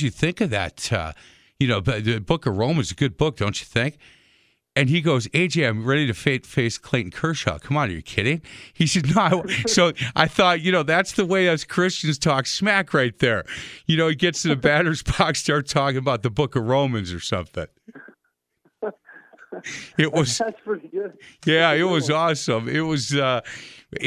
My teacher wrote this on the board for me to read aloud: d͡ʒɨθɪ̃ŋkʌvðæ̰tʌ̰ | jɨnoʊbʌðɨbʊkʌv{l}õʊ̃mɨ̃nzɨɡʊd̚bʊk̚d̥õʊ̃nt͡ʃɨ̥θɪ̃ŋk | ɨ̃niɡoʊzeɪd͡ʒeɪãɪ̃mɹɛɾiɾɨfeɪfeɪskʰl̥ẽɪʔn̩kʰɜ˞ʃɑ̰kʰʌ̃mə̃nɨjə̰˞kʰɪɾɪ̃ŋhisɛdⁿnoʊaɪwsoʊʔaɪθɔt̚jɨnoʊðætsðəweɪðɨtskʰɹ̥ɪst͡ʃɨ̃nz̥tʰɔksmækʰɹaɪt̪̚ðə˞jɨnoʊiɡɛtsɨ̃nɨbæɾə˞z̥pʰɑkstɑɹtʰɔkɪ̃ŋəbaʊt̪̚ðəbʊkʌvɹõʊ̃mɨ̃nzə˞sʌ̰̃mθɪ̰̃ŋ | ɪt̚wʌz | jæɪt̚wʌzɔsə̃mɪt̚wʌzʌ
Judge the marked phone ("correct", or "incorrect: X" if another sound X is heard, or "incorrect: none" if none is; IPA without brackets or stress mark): incorrect: ɹ